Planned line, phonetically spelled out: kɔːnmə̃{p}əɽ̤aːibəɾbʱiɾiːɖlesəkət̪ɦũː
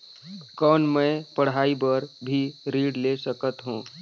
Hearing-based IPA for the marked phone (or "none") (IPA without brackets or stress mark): p